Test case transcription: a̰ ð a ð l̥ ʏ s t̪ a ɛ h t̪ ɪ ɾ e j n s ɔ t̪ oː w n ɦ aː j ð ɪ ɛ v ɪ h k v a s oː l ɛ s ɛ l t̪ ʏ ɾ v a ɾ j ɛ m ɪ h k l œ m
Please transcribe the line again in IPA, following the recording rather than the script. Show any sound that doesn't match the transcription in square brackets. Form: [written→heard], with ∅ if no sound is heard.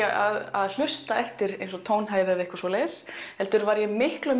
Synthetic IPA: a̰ ð a ð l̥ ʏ s t̪ a ɛ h t̪ ɪ ɾ e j n s ɔ [t̪→t̪ʰ] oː w n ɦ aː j ð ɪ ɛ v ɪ h k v a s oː l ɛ s ɛ l t̪ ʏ ɾ v a ɾ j ɛ m ɪ h k l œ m